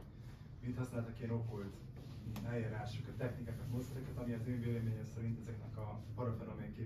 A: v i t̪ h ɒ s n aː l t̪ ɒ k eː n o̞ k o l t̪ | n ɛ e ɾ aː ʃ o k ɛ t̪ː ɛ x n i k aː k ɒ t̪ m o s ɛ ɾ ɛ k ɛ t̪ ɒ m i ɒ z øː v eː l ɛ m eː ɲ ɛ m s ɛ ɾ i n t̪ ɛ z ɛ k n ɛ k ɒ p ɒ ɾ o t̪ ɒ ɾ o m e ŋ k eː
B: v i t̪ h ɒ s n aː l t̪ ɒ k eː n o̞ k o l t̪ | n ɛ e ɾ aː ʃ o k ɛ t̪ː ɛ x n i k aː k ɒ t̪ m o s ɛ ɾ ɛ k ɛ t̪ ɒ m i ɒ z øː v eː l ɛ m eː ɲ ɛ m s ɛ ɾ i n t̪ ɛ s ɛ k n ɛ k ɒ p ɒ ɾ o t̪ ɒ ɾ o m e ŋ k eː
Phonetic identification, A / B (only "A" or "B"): A